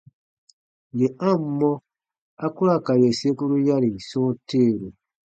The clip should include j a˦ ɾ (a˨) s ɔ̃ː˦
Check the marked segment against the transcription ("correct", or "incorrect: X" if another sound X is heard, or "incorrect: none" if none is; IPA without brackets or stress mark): incorrect: i˨